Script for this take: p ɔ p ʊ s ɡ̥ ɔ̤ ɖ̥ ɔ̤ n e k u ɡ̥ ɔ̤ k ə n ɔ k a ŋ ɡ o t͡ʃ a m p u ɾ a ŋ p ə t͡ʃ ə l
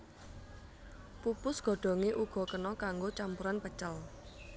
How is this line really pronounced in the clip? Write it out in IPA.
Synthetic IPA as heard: p u p ʊ s ɡ̥ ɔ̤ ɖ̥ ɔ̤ ŋ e ʔ u ɡ̥ ɔ̤ k ə n ɔ k a ŋ ɡ o t͡ʃ a m p u ɾ a n p ə t͡ʃ ə l

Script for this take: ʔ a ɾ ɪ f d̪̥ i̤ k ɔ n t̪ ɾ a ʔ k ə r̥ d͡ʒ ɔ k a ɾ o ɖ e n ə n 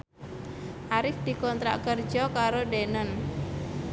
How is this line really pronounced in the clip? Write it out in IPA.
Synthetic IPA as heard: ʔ a ɾ ɪ f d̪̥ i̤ k ɔ n t̪ ɾ a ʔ k ə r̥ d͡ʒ ɔ k a ɾ o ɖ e n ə n

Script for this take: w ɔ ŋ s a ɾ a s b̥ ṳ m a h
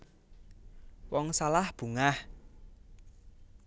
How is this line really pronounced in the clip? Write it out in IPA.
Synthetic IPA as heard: w ɔ ŋ s a l a h b̥ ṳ ŋ a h

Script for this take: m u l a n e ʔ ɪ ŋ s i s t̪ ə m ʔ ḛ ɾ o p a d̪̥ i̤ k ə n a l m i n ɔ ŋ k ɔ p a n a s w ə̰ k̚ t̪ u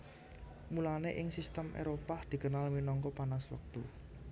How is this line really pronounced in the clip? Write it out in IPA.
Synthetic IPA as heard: m u l a n e ʔ ɪ ŋ s i s t̪ ə m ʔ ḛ ɾ o p a d̪̥ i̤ k ə n a l m i n ɔ ŋ k ɔ p a n a s w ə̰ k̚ t̪ u

